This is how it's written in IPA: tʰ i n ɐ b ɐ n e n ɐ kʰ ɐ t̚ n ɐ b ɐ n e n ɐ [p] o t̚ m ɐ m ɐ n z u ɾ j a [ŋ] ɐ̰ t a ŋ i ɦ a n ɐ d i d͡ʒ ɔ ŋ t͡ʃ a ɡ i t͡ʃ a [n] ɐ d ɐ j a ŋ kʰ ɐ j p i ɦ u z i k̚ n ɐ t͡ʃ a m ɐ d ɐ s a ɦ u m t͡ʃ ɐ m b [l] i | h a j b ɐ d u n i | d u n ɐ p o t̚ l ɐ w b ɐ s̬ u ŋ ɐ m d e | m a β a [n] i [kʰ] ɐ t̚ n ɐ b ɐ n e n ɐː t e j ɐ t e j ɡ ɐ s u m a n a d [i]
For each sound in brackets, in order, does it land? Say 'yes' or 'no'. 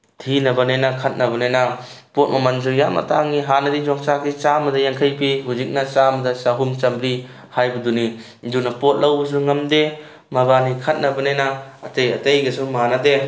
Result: yes, no, no, no, yes, yes, no

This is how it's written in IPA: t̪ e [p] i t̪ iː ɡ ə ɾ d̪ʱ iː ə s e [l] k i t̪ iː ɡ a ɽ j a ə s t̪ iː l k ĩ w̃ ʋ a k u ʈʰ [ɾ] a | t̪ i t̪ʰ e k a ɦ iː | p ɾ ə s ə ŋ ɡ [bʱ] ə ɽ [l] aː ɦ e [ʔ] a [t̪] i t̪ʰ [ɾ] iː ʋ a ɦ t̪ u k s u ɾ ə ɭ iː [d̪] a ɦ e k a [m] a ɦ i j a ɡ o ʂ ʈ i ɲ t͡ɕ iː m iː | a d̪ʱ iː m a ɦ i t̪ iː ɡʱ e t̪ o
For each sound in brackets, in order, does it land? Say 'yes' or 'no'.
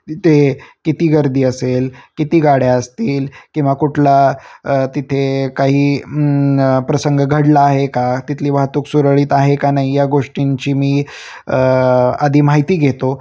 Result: no, yes, no, no, yes, no, yes, no, no, no

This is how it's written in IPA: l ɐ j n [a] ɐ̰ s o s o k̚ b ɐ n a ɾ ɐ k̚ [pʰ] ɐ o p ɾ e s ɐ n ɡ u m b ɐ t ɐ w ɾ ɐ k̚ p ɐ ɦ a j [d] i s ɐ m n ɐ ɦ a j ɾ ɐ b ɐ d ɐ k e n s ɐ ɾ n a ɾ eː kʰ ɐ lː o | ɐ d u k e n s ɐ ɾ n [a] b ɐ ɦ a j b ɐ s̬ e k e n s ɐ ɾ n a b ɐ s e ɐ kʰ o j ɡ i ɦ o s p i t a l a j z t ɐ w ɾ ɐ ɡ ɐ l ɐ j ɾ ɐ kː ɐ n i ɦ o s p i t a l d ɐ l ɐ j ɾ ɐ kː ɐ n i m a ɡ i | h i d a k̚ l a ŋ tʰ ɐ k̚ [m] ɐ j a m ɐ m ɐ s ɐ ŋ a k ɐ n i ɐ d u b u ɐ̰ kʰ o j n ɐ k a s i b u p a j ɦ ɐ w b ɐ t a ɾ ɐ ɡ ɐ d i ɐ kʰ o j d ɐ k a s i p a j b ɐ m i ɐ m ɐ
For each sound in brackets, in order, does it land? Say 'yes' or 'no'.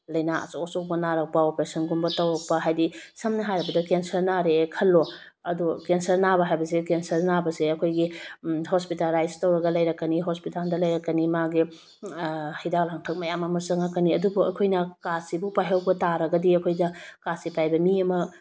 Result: yes, no, yes, yes, yes

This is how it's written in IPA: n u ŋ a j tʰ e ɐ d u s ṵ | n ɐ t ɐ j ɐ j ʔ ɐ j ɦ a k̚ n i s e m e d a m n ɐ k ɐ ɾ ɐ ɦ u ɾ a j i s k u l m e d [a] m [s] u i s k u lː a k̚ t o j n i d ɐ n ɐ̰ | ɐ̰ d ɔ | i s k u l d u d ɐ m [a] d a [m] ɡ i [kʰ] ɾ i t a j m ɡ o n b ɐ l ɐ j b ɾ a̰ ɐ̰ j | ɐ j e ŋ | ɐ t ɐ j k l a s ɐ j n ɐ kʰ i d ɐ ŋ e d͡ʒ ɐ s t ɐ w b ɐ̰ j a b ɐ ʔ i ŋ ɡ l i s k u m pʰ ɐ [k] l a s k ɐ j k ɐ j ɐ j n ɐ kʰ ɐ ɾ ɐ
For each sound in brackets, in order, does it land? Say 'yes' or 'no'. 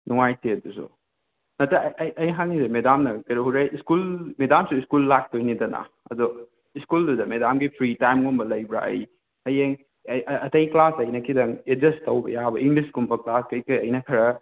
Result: yes, yes, no, yes, no, yes

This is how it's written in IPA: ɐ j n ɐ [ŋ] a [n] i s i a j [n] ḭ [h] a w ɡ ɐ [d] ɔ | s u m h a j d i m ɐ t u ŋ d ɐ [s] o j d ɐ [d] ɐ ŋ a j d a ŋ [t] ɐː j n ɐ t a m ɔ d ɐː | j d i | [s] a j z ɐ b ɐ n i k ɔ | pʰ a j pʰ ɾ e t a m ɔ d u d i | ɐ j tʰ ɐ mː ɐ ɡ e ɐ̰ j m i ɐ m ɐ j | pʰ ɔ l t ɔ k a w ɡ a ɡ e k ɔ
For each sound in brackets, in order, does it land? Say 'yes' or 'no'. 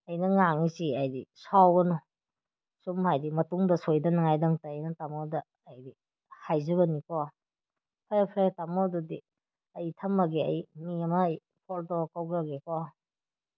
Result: yes, no, no, no, no, yes, no, yes, no

